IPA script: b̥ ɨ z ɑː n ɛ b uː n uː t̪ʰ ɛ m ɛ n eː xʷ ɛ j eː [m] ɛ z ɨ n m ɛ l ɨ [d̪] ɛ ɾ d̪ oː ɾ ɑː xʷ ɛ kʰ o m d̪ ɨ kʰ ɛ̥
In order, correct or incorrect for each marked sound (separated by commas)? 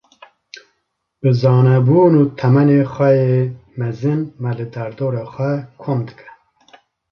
correct, correct